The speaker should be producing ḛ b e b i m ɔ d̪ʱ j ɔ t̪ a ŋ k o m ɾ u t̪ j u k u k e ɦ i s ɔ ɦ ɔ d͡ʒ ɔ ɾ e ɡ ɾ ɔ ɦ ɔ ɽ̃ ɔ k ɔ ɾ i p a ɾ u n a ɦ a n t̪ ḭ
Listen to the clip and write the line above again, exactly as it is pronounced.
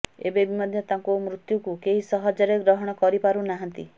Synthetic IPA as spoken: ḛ b e b i m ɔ d̪ʱ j ɔ t̪ a ŋ k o m ɾ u t̪ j u k u k e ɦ i s ɔ ɦ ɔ d͡ʒ ɔ ɾ e ɡ ɾ ɔ ɦ ɔ ɽ̃ ɔ k ɔ ɾ i p a ɾ u n a ɦ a n t̪ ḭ

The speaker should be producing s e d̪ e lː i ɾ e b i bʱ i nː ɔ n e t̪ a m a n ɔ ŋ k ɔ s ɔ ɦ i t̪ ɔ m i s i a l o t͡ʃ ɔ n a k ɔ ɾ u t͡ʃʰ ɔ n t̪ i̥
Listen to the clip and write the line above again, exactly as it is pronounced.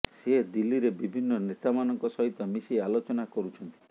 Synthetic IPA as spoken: s e d̪ i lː i ɾ e b i bʱ i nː ɔ n e t̪ a m a n ɔ ŋ k ɔ s ɔ ɦ i t̪ ɔ m i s i a l o t͡ʃ ɔ n a k ɔ ɾ u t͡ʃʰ ɔ n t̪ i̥

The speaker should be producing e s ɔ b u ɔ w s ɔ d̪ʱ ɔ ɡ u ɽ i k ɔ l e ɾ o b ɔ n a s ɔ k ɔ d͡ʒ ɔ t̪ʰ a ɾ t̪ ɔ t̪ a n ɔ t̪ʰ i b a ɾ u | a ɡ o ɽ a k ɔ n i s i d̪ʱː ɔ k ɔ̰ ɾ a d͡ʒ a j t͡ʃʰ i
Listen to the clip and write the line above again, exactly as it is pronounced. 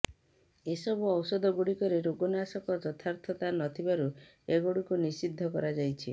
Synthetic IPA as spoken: e s ɔ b u ɔ w s ɔ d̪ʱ ɔ ɡ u ɽ i k ɔ ɾ e ɾ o ɡ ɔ n a s ɔ k ɔ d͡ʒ ɔ t̪ʰ a ɾ t̪ʰ ɔ t̪ a n ɔ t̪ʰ i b a ɾ u | e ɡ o ɽ i k u n i s i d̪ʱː ɔ k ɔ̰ ɾ a d͡ʒ a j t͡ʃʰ i

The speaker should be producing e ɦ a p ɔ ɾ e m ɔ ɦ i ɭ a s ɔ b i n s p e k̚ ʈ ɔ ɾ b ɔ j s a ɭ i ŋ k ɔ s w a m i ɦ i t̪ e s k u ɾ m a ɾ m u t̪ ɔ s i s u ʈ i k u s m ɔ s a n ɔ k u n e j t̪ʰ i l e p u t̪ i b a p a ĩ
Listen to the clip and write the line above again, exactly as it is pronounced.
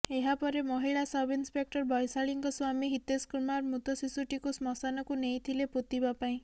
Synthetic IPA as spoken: e ɦ a p ɔ ɾ e m ɔ ɦ i ɭ a s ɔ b i n s p e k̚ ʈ ɔ ɾ b ɔ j s a ɭ i ŋ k ɔ s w a m i ɦ i t̪ e s k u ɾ m a ɾ m u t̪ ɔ s i s u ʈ i k u s m ɔ s a n ɔ k u n e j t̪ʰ i l e p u t̪ i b a p a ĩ

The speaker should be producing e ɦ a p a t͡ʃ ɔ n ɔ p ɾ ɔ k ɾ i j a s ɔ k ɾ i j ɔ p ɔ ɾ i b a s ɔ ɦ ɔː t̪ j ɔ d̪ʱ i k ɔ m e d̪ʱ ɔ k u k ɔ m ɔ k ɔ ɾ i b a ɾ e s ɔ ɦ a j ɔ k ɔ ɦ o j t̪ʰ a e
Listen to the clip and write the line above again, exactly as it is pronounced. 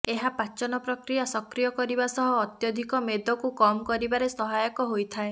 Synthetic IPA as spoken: e ɦ a p a t͡ʃ ɔ n ɔ p ɾ ɔ k ɾ i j a s ɔ k ɾ i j ɔ k ɔ ɾ i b a s ɔ ɦ ɔː t̪ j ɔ d̪ʱ i k ɔ m e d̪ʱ ɔ k u k ɔ m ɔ k ɔ ɾ i b a ɾ e s ɔ ɦ a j ɔ k ɔ ɦ o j t̪ʰ a e

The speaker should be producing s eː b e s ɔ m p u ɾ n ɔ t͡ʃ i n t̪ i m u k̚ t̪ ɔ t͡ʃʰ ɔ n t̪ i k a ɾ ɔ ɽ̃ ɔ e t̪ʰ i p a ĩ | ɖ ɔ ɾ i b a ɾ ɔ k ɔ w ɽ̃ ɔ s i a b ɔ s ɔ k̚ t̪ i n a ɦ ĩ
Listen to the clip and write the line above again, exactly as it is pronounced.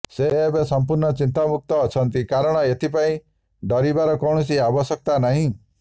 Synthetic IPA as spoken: s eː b e s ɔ m p u ɾ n ɔ t͡ʃ i n t̪ a m u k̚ t̪ ɔː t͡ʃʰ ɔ n t̪ i k a ɾ ɔ ɽ̃ ɔ e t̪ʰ i p a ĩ | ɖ ɔ ɾ i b a ɾ ɔ k ɔ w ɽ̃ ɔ s i a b ɔ s ɔ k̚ t̪ a n a ɦ ĩ

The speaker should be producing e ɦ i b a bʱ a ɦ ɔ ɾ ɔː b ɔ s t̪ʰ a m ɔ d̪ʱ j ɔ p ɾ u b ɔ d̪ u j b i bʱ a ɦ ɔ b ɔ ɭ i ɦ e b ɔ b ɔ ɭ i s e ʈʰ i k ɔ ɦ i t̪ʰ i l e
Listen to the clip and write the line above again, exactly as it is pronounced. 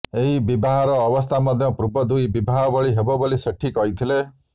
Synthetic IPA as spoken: e ɦ i b i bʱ a ɦ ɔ ɾ ɔː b ɔ s t̪ʰ a m ɔ d̪ʱ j ɔ p ɾ u b ɔ d̪ u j b i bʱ a ɦ ɔ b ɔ ɭ i ɦ e b ɔ b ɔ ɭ i s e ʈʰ i k ɔ ɦ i t̪ʰ i l e

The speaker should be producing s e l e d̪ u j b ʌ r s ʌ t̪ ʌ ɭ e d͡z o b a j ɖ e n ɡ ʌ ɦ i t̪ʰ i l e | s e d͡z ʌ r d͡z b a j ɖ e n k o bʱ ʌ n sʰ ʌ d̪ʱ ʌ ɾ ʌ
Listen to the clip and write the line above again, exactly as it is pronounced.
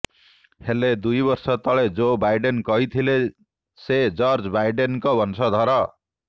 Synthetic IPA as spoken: h e l e d̪ u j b ʌ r s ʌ t̪ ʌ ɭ e d͡z o b a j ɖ e n k ʌ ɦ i t̪ʰ i l e | s e d͡z ʌ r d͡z b a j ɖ e n k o bʱ ʌ n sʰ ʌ d̪ʱ ʌ ɾ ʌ

